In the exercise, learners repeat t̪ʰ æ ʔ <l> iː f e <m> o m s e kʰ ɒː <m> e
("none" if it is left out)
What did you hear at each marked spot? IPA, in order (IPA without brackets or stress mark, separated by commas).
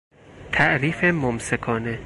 ɾ, m, n